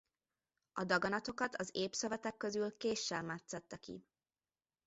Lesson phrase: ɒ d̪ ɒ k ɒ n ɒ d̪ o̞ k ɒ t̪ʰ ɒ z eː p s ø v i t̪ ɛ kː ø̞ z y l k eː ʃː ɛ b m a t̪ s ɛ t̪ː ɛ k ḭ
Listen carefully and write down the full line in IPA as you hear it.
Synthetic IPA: ɒ d̪ ɒ ɡ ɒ n ɒ t̪ o̞ k ɒ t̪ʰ ɒ z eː p s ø v ɛ t̪ ɛ kː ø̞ z y l k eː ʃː ɛ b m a t̪ s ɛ t̪ː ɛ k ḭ